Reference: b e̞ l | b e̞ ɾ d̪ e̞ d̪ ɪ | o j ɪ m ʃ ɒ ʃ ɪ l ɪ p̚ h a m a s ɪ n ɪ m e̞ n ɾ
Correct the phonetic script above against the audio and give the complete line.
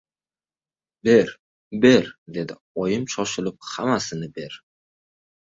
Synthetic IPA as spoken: b e̞ ɾ | b e̞ ɾ d̪ e̞ d̪ ɪ | ɒ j ɪ m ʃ ɒ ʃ ɪ l ɪ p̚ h a m a s ɪ n ɪ b e̞ ɾ